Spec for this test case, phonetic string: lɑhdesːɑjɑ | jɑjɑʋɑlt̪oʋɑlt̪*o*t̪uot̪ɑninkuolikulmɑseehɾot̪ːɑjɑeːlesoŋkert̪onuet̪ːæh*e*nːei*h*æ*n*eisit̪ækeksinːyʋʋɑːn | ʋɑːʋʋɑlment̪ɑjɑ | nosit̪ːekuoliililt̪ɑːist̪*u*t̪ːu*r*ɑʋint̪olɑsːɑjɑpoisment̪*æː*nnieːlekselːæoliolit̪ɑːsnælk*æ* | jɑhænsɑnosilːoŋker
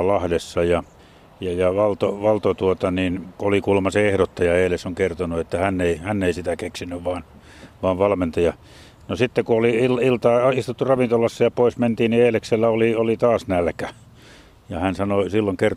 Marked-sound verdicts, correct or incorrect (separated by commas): correct, incorrect, correct, incorrect, correct, correct, incorrect, correct